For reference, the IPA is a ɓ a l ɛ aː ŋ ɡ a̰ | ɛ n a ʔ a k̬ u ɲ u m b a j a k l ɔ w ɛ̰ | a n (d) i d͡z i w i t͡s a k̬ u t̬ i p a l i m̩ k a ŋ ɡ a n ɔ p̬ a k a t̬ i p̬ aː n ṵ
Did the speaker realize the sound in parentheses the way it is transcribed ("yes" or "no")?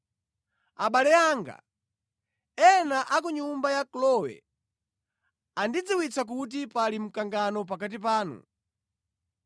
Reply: yes